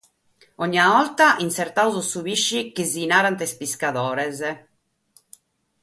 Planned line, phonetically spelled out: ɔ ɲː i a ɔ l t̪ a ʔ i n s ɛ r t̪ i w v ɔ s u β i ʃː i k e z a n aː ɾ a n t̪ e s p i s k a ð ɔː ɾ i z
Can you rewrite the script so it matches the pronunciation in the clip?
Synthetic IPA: ɔ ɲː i a ɔ l t̪ a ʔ i n s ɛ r t̪ a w z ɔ s u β i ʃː i k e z i n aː ɾ a n t̪ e s p i s k a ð ɔː ɾ ɛ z